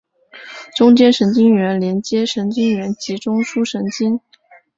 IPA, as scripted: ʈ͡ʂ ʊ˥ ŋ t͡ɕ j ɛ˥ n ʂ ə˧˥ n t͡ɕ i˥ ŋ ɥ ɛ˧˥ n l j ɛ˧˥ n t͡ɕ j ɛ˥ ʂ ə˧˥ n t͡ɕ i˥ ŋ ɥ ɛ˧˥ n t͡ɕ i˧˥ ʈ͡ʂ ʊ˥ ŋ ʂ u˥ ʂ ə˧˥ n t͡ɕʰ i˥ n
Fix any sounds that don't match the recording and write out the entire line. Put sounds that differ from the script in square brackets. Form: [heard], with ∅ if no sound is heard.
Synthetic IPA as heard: ʈ͡ʂ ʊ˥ ŋ t͡ɕ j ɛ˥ n ʂ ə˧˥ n t͡ɕ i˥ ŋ ɥ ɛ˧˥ n l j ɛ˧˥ n t͡ɕ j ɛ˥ ʂ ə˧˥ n t͡ɕ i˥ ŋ ɥ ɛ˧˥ n t͡ɕ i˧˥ ʈ͡ʂ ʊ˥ ŋ ʂ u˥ ʂ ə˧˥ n [t͡ɕ] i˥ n

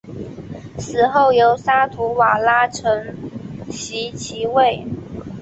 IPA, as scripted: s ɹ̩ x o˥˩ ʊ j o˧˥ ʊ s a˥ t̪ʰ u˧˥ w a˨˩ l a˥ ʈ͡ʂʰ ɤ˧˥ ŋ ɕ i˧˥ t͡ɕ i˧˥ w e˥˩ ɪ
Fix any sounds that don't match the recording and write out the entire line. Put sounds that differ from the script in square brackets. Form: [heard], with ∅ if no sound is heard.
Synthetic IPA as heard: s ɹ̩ x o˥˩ ʊ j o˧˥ ʊ s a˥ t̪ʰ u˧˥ w a˨˩ l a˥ ʈ͡ʂʰ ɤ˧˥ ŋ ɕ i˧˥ [t͡ɕʰ] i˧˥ w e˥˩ ɪ

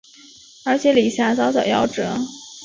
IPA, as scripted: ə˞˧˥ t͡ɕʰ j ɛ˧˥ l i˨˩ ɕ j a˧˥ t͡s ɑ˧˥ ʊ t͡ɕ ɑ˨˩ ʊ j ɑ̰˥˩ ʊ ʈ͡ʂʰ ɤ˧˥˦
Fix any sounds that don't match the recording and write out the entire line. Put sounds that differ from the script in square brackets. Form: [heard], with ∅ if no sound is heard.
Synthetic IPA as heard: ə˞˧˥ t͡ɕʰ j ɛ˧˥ l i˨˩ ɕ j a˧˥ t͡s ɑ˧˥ ʊ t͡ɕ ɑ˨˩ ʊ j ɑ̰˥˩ ʊ [ʈ͡ʂ] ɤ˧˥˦

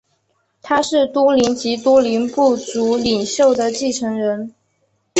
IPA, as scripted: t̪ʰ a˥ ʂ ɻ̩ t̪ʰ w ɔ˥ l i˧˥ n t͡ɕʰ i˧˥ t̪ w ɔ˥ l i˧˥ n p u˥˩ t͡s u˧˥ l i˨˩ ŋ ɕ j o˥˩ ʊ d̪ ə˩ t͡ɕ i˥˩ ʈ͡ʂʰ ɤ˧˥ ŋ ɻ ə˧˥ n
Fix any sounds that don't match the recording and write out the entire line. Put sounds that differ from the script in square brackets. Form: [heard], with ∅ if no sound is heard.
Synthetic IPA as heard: t̪ʰ a˥ ʂ ɻ̩ [t̪] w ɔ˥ l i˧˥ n [t͡ɕ] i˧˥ t̪ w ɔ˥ l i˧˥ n p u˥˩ t͡s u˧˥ l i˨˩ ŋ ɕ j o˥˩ ʊ d̪ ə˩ t͡ɕ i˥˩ ʈ͡ʂʰ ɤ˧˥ ŋ ɻ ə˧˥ n

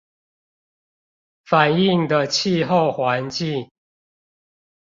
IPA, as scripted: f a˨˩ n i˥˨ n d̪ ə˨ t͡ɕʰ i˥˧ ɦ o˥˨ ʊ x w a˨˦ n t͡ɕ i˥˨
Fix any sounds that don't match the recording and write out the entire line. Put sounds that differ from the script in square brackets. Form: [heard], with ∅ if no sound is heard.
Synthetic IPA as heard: f a˨˩ n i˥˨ [ŋ] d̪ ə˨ t͡ɕʰ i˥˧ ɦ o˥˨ ʊ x w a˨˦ n t͡ɕ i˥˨

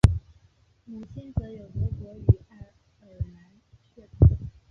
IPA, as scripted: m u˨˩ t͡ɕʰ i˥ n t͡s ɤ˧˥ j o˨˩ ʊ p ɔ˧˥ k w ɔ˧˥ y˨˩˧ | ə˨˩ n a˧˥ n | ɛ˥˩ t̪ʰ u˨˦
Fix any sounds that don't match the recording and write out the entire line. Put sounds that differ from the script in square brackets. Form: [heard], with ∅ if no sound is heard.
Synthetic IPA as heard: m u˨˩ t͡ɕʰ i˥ n t͡s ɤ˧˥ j o˨˩ ʊ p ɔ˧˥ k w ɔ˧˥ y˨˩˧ | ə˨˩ n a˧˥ n | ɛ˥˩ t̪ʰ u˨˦

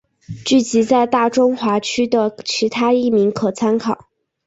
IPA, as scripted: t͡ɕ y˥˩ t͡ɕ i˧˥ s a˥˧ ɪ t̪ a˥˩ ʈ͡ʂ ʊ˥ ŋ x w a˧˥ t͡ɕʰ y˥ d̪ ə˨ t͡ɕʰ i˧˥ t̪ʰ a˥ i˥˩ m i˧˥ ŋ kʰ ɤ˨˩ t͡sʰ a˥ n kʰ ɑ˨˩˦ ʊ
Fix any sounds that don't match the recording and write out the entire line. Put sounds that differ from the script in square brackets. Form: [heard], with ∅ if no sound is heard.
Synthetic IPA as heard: t͡ɕ y˥˩ t͡ɕ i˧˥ [t͡s] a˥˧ ɪ t̪ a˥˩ ʈ͡ʂ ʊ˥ ŋ x w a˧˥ t͡ɕʰ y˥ d̪ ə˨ t͡ɕʰ i˧˥ t̪ʰ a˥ i˥˩ m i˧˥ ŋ kʰ ɤ˨˩ t͡sʰ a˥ n kʰ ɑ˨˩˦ ʊ

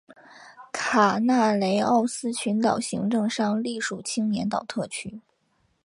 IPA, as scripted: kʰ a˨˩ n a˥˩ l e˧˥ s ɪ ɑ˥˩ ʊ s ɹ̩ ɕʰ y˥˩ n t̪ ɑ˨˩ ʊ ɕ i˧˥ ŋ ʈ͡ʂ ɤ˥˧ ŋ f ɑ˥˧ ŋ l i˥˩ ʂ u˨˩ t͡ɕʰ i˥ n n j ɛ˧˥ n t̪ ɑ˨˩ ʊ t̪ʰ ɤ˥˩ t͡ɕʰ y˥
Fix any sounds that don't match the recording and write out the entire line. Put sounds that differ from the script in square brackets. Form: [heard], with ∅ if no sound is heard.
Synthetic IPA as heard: kʰ a˨˩ n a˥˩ l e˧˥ [∅] ɪ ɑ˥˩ ʊ s ɹ̩ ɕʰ [y˧˥] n t̪ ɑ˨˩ ʊ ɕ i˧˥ ŋ ʈ͡ʂ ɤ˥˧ ŋ [ʂ] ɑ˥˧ ŋ l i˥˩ ʂ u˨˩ t͡ɕʰ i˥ [ŋ] n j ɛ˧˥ n t̪ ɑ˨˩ ʊ t̪ʰ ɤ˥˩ t͡ɕʰ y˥

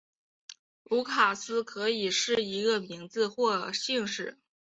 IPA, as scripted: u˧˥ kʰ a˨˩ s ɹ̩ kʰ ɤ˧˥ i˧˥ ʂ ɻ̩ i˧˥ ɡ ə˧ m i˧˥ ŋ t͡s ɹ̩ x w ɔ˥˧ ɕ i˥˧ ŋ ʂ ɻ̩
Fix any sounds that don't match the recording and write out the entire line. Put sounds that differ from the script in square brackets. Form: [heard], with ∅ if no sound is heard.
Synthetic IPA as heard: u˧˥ kʰ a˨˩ s ɹ̩ kʰ ɤ˧˥ [i˨˩] ʂ ɻ̩ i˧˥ ɡ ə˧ m i˧˥ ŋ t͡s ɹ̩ x w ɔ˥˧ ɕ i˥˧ ŋ ʂ ɻ̩

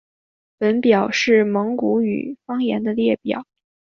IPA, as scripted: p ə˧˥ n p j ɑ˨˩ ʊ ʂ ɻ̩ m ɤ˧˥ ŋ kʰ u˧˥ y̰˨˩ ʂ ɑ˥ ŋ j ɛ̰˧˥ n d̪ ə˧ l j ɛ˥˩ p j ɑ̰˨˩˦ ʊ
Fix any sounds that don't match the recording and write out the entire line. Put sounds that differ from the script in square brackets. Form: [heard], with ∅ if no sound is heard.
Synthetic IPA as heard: p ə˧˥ n p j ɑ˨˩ ʊ ʂ ɻ̩ m ɤ˧˥ ŋ [k] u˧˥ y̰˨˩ [f] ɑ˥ ŋ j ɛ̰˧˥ n d̪ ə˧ l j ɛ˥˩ p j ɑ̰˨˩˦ ʊ

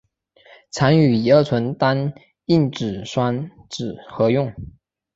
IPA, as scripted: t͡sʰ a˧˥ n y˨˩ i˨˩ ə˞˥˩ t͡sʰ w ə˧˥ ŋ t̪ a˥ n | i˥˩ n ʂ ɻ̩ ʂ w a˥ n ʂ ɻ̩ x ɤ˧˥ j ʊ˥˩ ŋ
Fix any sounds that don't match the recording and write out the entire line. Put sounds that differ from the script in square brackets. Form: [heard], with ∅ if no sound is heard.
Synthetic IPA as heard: t͡sʰ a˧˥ n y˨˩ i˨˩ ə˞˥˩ t͡sʰ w ə˧˥ [n] t̪ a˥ n | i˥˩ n [ʈ͡ʂ] ɻ̩ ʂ w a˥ n [ʈ͡ʂ] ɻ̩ x ɤ˧˥ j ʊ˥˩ ŋ

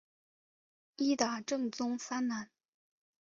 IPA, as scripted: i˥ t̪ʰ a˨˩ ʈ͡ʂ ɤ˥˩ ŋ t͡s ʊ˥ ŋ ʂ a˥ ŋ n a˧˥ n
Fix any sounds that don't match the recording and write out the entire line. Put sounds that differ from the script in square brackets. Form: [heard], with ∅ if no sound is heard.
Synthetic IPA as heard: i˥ [t̪] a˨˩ ʈ͡ʂ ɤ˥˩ ŋ t͡s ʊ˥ ŋ [f] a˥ [n] n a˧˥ n

